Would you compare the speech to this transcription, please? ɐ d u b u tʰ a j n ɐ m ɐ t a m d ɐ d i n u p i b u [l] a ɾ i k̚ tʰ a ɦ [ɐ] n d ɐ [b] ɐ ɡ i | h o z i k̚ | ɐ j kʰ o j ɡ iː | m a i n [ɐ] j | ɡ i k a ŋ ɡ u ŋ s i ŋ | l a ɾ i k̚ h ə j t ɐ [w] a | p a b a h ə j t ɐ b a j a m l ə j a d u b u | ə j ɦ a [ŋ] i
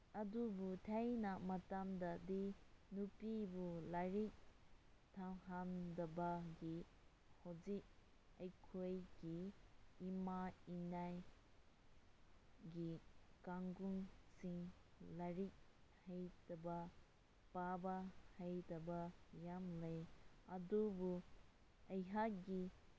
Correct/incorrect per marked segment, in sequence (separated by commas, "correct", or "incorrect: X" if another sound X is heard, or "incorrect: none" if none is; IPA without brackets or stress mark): correct, incorrect: a, correct, incorrect: a, incorrect: b, incorrect: ɡ